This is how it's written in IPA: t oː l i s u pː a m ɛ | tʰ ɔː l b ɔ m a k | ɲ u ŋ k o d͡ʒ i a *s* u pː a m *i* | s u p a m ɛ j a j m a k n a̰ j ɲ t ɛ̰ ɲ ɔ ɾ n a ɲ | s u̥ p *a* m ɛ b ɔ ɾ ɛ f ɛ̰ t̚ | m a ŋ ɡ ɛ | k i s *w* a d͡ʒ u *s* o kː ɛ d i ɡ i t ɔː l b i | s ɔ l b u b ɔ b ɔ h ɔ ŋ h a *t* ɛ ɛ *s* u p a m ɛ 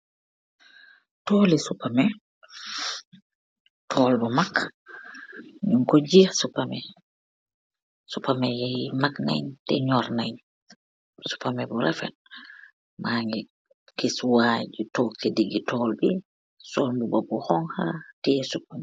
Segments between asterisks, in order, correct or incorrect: correct, incorrect: ɛ, correct, correct, incorrect: t, correct, correct

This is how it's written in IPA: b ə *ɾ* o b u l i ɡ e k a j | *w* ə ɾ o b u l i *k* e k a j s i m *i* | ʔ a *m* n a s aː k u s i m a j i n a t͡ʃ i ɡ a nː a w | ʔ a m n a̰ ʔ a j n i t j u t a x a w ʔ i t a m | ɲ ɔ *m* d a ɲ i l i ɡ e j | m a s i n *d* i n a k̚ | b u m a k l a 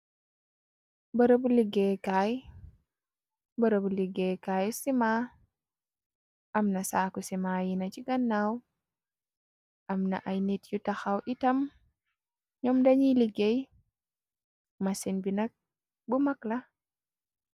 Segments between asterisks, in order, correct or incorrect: correct, incorrect: b, incorrect: ɡ, incorrect: a, correct, correct, incorrect: b

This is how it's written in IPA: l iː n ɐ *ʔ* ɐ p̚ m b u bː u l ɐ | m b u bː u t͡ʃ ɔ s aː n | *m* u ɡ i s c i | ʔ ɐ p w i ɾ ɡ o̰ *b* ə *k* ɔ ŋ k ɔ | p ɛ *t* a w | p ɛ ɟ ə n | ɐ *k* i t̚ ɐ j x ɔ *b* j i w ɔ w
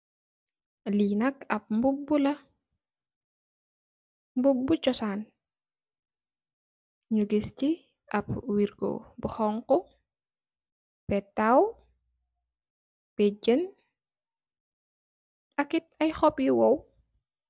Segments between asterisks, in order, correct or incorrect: incorrect: k, incorrect: ɲ, correct, incorrect: x, correct, correct, incorrect: p

